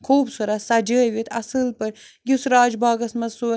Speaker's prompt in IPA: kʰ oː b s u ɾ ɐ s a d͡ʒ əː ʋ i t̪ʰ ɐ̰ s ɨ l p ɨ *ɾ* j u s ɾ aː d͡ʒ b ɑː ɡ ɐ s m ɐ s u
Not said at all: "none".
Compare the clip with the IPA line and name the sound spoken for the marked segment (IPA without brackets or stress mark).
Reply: ɾ